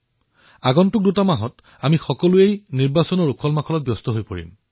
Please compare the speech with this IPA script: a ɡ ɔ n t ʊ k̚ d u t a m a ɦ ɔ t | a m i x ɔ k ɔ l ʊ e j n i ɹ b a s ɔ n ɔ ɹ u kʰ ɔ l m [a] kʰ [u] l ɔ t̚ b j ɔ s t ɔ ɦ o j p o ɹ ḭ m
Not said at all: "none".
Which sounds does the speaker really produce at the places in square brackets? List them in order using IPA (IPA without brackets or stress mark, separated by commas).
a, ɔ